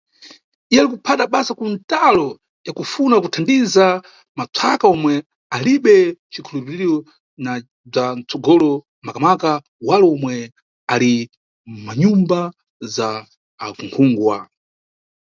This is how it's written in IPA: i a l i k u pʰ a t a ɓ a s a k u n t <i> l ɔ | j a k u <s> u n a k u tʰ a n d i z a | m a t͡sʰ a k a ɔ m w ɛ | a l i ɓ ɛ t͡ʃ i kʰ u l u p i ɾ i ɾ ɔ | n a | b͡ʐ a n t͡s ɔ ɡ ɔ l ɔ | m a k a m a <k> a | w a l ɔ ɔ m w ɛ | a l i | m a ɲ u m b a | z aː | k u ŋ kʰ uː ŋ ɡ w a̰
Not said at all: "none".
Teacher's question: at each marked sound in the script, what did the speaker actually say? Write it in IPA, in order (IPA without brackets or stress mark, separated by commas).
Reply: a, f, k